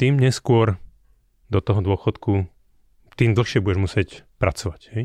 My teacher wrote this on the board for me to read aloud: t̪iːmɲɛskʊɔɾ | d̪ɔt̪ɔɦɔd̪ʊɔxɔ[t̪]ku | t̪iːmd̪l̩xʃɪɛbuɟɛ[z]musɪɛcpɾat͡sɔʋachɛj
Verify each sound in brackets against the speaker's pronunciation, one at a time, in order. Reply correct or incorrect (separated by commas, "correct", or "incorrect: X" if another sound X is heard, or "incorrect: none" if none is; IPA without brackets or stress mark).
correct, incorrect: ʒ